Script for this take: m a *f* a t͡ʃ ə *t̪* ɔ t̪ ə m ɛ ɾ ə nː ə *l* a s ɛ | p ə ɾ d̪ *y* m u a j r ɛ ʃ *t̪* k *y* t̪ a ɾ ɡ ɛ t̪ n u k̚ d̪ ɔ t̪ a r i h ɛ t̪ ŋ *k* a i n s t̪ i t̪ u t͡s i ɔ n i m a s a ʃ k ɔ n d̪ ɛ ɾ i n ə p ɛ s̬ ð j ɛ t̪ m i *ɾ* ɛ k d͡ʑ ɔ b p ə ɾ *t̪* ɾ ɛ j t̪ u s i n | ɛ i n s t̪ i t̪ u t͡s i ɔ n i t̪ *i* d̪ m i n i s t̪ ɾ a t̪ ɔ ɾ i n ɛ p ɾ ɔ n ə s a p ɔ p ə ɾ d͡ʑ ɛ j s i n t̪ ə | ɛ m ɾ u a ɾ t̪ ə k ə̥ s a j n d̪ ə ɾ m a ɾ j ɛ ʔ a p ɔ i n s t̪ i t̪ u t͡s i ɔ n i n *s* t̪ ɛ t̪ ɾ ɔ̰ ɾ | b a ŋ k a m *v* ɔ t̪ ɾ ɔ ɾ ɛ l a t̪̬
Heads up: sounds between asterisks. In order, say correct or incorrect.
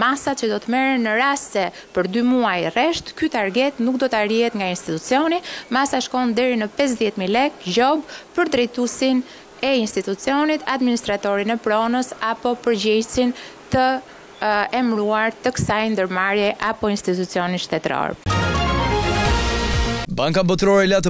incorrect: s, incorrect: d̪, incorrect: ɾ, correct, correct, correct, incorrect: ɡ, incorrect: l, incorrect: d̪, incorrect: a, incorrect: ʃ, incorrect: b

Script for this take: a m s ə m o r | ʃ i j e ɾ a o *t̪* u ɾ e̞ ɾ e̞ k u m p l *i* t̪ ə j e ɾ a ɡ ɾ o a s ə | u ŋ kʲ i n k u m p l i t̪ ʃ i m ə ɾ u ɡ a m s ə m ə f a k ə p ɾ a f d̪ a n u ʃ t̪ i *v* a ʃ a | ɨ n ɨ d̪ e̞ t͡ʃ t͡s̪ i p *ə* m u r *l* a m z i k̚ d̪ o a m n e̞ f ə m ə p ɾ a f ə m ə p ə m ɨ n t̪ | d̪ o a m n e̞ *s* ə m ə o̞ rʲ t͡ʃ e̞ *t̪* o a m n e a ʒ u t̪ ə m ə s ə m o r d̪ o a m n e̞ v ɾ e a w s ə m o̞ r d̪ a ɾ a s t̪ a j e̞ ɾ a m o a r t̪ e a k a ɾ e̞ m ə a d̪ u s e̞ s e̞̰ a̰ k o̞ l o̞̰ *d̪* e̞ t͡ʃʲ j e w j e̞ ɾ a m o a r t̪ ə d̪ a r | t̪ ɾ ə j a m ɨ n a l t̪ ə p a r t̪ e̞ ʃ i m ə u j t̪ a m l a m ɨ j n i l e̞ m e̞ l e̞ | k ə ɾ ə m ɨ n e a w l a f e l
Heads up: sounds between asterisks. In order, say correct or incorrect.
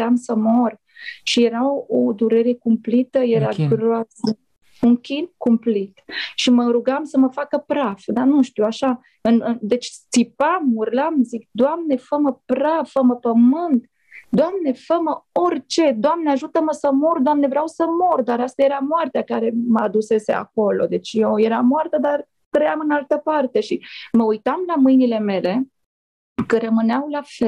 incorrect: d̪, correct, incorrect: w, incorrect: a, correct, incorrect: f, incorrect: d̪, correct

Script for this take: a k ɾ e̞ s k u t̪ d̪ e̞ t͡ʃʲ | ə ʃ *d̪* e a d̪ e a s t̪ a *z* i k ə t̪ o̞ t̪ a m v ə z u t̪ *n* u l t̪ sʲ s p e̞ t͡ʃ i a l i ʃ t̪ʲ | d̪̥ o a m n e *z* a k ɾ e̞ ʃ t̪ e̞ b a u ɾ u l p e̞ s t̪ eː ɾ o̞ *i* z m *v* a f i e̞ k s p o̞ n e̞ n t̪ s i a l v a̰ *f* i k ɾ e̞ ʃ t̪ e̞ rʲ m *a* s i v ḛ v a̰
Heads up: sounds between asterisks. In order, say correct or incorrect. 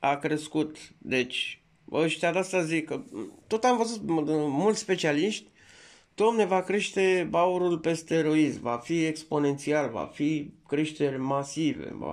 incorrect: t̪, correct, incorrect: m, incorrect: v, correct, correct, correct, correct

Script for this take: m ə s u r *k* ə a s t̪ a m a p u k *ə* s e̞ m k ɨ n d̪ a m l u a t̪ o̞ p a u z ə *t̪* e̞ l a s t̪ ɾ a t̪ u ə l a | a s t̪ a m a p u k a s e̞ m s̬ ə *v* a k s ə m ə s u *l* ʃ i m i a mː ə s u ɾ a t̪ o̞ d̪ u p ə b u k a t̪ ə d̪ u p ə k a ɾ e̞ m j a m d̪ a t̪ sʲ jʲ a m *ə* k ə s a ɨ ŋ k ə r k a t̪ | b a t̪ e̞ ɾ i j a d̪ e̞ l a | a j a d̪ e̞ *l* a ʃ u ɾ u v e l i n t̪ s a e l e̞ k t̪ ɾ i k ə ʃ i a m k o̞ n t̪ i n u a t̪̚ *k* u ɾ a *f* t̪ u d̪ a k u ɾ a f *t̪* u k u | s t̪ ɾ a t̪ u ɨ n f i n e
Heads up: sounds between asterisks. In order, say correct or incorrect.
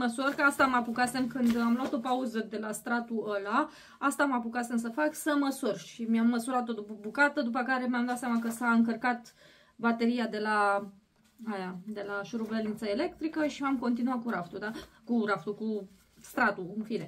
correct, incorrect: a, incorrect: d̪, incorrect: f, incorrect: r, incorrect: a, correct, correct, correct, correct

